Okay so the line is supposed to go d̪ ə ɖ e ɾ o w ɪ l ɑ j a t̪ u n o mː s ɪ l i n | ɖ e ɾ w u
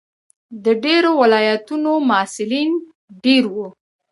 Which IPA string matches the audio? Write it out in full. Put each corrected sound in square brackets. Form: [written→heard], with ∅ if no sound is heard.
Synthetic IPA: d̪ ə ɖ e ɾ o w ɪ l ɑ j a t̪ u n o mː s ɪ l i n | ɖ e ɾ w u

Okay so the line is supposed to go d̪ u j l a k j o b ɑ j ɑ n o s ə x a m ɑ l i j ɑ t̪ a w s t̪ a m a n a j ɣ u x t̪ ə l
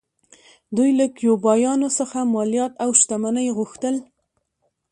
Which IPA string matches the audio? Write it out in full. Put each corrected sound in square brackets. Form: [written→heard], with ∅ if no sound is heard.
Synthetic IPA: d̪ u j l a k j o b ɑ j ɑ n o s ə x a m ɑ l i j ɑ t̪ a w [s→ʃ] t̪ a m a n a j ɣ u x t̪ ə l

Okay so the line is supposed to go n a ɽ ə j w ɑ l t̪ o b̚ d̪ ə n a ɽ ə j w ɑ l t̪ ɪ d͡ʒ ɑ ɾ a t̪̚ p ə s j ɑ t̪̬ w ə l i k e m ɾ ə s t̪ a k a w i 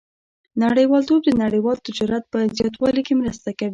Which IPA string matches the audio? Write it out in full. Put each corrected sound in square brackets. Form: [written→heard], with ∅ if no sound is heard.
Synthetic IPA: n a ɽ ə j w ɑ l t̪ o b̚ d̪ ə n a ɽ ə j w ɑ l t̪ ɪ d͡ʒ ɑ ɾ a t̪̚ p ə [s→z] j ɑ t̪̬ w [ə→ɑ] l i k e m ɾ ə s t̪ a k a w i

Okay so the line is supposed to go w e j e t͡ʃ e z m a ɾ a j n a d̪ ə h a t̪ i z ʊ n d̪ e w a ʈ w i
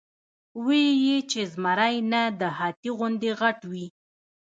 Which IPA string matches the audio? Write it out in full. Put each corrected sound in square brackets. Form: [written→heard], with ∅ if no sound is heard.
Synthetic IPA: w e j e t͡ʃ e z m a ɾ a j n a d̪ ə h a t̪ i [z→ɣ] ʊ n d̪ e [w→ɣ] a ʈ w i

